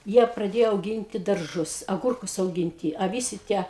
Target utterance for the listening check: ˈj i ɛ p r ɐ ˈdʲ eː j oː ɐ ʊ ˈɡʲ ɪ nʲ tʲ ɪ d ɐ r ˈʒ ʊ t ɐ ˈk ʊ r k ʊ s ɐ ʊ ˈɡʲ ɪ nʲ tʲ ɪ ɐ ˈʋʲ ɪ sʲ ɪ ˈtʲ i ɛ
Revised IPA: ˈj i ɛ p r ɐ ˈdʲ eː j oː ɐ ʊ ˈɡʲ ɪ nʲ tʲ ɪ d ɐ r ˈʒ ʊ s ɐ ˈɡ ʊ r k ʊ s ɐ ʊ ˈɡʲ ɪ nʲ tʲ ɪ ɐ ˈʋʲ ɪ sʲ ɪ ˈtʲ i ɛ